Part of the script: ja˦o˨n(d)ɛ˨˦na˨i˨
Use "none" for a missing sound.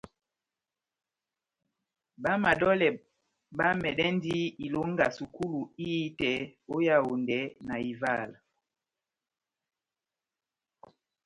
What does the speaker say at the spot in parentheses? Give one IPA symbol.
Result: d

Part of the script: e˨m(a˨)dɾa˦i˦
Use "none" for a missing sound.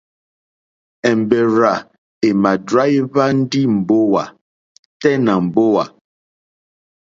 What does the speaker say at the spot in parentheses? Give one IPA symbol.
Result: a˨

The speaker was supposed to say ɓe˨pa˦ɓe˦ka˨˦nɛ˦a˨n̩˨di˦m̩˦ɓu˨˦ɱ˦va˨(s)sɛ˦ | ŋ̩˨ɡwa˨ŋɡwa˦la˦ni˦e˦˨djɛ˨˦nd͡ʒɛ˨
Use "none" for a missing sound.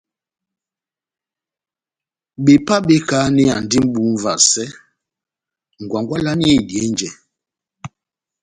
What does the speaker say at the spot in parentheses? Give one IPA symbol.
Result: s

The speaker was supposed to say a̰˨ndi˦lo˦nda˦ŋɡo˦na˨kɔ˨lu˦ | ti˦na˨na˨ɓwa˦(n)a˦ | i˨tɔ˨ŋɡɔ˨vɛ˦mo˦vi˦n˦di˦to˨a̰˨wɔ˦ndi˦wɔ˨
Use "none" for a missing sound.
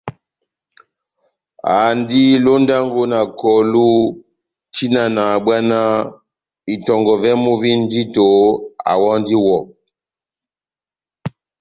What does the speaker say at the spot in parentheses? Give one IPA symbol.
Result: n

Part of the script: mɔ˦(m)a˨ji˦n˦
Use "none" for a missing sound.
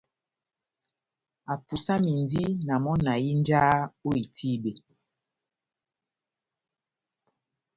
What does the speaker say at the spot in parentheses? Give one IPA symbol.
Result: n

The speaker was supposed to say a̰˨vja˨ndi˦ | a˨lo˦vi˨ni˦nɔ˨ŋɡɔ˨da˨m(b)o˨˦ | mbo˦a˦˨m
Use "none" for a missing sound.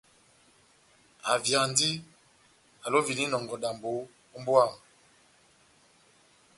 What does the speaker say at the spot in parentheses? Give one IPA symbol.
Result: b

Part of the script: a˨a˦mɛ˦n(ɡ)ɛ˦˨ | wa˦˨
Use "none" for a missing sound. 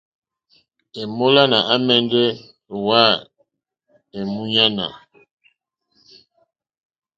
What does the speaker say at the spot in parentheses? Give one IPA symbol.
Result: d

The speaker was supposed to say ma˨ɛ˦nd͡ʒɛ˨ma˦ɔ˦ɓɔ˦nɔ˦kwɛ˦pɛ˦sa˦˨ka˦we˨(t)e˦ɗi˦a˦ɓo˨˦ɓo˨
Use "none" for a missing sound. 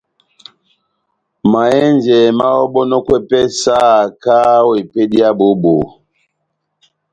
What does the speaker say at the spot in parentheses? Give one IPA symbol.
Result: p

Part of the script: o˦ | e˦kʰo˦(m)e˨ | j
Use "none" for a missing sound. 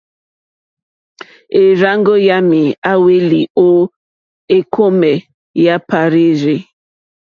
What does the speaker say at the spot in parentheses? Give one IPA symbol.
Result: m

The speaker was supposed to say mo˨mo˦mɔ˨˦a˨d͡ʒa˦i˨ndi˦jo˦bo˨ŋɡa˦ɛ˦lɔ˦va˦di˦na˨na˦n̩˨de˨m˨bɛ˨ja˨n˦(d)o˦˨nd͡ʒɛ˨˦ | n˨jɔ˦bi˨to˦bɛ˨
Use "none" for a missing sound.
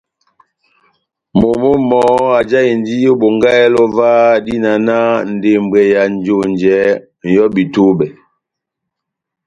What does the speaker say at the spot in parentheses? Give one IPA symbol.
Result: d͡ʒ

